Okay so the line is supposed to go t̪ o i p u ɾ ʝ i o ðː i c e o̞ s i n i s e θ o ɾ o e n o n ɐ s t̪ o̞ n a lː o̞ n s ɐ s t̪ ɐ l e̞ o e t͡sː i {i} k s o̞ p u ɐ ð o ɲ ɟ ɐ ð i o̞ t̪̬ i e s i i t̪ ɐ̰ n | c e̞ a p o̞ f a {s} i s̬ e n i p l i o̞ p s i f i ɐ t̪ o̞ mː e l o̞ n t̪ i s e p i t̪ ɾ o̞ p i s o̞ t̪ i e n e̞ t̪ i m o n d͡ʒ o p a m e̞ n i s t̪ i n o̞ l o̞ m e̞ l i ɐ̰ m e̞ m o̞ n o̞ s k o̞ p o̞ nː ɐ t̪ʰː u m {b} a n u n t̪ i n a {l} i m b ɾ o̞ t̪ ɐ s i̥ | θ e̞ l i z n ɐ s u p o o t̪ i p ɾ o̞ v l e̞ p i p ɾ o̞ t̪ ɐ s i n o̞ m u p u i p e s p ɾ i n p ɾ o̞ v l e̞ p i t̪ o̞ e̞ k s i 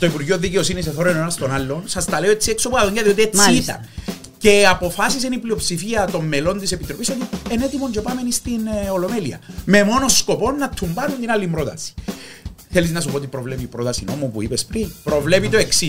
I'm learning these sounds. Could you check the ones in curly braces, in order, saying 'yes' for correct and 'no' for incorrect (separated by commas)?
no, yes, yes, no